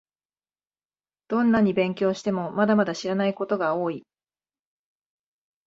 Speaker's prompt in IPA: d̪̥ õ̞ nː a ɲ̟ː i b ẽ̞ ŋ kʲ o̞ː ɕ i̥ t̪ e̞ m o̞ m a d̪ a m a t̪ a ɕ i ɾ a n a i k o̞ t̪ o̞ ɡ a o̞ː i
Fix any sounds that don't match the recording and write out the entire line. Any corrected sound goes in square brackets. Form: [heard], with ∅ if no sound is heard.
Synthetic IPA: d̪̥ õ̞ nː a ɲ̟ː i b ẽ̞ ŋ kʲ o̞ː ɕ i̥ t̪ e̞ m o̞ m a d̪ a m a [d̪] a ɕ i ɾ a n a i k o̞ t̪ o̞ ɡ a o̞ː i